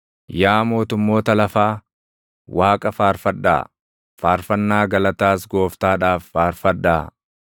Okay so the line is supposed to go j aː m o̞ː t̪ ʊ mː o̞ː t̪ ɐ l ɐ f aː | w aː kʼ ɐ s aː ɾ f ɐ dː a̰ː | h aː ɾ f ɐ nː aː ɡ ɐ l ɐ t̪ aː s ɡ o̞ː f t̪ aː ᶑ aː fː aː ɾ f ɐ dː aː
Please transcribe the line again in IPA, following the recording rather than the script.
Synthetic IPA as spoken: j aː m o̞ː t̪ ʊ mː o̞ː t̪ ɐ l ɐ f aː | w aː kʼ ɐ f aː ɾ f ɐ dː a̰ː | f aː ɾ f ɐ nː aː ɡ ɐ l ɐ t̪ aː s ɡ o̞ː f t̪ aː ᶑ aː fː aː ɾ f ɐ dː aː